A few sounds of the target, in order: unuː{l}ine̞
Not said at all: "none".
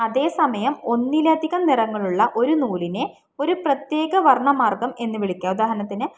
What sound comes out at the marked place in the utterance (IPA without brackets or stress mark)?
l